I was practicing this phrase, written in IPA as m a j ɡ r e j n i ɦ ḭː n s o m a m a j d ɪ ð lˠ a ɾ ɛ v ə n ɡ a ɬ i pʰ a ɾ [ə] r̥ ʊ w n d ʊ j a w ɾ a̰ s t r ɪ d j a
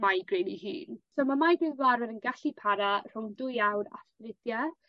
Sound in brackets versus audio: incorrect: a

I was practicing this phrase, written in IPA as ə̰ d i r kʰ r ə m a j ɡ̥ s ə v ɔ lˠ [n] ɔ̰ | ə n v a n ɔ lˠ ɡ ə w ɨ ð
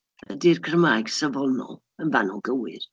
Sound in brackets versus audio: correct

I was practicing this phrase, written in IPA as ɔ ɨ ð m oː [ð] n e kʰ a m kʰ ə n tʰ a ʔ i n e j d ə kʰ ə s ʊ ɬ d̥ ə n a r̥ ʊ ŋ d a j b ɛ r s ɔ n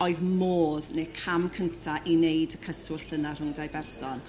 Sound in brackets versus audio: correct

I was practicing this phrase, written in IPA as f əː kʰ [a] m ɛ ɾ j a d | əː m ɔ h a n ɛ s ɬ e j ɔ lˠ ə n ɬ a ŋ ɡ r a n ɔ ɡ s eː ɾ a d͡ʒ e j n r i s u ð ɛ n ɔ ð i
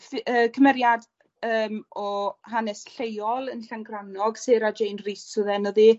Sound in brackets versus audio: incorrect: ə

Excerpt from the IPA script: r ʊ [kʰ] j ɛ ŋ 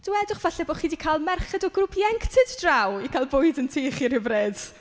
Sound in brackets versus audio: incorrect: pʰ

